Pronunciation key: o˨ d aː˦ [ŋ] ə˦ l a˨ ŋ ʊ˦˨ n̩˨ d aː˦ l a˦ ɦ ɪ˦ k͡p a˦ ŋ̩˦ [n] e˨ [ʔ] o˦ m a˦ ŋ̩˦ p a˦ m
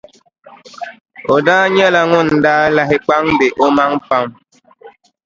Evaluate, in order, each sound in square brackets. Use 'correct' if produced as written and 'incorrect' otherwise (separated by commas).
incorrect, incorrect, correct